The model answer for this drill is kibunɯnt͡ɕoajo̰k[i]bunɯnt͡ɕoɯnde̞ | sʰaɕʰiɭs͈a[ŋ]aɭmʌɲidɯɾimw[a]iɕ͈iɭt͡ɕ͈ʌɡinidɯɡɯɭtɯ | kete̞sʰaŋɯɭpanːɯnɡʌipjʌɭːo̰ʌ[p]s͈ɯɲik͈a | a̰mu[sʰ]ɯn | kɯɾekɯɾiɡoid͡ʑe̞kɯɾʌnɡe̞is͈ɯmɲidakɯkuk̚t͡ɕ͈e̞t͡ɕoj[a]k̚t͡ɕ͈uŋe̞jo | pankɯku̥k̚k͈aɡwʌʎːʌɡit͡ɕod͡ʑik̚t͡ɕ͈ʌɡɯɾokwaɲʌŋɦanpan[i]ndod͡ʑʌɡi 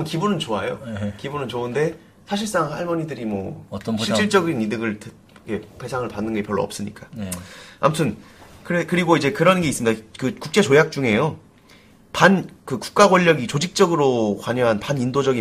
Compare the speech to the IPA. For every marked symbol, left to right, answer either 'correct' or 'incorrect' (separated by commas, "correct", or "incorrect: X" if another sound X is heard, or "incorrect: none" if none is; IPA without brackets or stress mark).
correct, correct, incorrect: ʌ, correct, incorrect: tʰ, correct, correct